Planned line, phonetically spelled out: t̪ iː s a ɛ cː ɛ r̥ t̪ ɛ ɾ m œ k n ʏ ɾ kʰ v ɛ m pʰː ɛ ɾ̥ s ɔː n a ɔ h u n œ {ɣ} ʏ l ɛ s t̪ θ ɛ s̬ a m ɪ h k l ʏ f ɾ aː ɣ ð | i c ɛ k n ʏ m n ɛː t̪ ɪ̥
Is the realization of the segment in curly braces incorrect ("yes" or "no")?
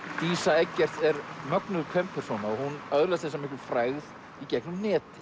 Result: yes